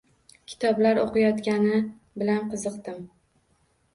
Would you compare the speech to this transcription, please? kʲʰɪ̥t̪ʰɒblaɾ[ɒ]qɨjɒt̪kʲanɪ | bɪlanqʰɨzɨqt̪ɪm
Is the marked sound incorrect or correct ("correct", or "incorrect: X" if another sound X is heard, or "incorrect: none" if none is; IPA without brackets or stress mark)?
incorrect: o